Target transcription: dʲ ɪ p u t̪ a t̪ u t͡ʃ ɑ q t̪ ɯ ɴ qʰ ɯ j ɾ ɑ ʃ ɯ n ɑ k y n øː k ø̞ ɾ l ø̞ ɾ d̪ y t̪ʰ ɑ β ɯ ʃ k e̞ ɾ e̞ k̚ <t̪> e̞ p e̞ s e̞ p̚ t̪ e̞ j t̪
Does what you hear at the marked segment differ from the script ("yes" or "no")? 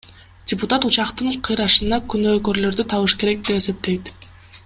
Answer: yes